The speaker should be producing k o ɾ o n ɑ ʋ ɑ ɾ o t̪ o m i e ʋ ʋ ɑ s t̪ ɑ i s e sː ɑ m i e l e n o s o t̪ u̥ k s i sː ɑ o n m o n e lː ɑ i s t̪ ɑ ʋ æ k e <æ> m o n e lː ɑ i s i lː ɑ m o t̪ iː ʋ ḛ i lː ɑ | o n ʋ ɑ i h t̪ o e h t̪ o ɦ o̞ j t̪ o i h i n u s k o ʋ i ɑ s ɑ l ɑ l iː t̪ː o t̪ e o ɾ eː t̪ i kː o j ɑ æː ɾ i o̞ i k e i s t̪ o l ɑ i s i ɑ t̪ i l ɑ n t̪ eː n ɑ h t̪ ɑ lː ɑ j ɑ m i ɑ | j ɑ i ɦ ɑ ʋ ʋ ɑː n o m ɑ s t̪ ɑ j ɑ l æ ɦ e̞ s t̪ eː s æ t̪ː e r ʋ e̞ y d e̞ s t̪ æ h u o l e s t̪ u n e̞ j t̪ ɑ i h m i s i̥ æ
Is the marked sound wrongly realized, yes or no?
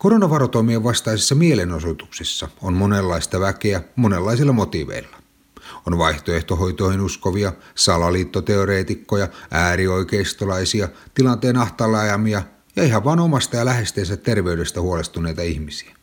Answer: no